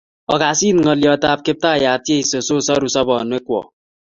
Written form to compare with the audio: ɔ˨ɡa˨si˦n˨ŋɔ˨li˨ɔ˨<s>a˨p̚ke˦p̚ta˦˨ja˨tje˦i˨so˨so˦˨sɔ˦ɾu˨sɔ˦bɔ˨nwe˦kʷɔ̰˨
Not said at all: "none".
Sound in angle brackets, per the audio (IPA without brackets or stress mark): t